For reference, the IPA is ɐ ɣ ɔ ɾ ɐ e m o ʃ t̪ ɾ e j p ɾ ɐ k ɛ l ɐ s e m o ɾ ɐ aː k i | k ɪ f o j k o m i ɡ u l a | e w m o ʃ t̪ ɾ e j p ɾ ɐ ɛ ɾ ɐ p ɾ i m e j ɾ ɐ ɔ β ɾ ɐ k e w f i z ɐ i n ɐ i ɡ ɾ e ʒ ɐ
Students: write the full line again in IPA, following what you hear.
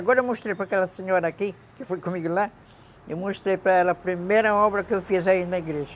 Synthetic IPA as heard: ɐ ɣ ɔ ɾ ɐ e m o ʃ t̪ ɾ e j p ɾ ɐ k ɛ l ɐ s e ɲ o ɾ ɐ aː k i | k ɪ f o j k o m i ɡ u l a | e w m o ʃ t̪ ɾ e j p ɾ ɐ ɛ l ɐ p ɾ i m e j ɾ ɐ ɔ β ɾ ɐ k e w f i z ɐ i n ɐ i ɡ ɾ e ʒ ɐ